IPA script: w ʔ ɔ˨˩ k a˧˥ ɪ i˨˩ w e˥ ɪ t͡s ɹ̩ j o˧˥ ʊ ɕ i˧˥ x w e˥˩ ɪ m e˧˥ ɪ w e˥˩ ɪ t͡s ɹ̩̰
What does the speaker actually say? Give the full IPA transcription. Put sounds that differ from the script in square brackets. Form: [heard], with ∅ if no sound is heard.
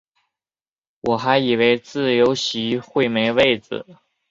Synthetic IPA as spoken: w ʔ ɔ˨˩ [x] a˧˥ ɪ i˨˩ w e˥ ɪ t͡s ɹ̩ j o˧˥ ʊ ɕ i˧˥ x w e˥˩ ɪ m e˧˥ ɪ w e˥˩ ɪ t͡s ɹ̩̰